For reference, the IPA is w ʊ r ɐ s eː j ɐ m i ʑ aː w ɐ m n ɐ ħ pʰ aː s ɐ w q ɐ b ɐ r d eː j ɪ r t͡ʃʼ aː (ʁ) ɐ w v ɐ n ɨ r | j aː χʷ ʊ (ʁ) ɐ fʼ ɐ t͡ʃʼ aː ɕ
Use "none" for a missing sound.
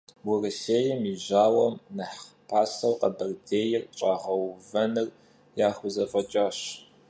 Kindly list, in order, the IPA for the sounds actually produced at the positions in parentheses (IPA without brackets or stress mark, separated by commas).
ʁ, z